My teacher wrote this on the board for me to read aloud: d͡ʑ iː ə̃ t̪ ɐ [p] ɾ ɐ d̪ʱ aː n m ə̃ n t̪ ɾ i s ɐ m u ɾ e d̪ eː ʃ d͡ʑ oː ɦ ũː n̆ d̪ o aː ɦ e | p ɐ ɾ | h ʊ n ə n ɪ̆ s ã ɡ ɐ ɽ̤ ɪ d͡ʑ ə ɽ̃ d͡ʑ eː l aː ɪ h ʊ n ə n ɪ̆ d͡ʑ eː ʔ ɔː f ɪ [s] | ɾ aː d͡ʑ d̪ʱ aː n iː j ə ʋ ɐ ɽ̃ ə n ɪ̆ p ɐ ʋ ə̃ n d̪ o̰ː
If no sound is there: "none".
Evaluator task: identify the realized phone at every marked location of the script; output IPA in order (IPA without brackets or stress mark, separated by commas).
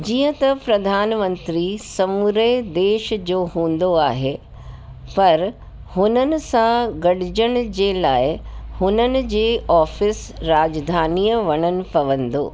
p, s